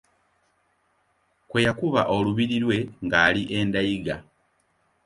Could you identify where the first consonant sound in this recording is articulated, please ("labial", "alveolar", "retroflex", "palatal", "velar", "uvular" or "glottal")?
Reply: velar